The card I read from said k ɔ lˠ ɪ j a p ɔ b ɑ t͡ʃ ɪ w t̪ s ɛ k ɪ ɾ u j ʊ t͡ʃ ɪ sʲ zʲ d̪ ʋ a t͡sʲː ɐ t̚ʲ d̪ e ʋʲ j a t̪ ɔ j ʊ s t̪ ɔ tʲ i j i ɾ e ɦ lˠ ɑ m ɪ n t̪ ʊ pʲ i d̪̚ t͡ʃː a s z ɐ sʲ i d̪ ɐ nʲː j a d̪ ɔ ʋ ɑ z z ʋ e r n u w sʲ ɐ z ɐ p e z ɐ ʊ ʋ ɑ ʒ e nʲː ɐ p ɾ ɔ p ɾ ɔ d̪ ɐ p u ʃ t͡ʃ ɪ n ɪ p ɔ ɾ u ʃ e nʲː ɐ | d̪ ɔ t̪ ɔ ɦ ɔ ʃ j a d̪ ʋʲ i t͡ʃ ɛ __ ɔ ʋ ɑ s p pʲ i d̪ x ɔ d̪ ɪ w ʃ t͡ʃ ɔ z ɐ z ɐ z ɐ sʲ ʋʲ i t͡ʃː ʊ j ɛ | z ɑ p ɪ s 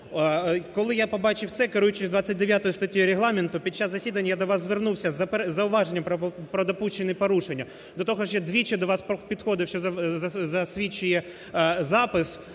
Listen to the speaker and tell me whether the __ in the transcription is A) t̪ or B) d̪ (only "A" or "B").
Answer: B